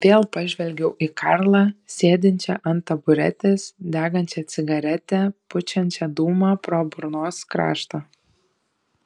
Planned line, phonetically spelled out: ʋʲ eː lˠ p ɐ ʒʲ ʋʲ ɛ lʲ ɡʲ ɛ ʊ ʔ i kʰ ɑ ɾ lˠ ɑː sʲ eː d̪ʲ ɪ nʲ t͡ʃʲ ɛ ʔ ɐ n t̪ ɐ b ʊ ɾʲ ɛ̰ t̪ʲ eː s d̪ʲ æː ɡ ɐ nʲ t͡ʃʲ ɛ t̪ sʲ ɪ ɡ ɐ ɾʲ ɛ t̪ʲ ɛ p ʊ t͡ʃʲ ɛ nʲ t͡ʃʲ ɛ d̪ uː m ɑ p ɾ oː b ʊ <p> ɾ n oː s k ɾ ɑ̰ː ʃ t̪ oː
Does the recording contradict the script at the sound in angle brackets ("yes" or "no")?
yes